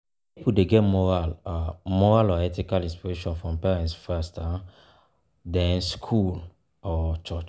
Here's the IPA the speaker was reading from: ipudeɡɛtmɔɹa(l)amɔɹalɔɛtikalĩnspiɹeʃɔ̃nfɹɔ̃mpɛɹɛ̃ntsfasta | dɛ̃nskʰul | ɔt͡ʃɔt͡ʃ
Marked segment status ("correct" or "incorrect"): correct